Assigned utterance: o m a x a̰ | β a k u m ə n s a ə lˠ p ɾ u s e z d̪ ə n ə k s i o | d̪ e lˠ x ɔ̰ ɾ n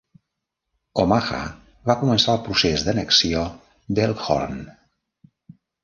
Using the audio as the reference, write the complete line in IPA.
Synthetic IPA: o m a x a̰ | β a k u m ə n s a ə lˠ p ɾ u s e z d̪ ə n ə k s i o | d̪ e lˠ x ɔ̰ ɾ n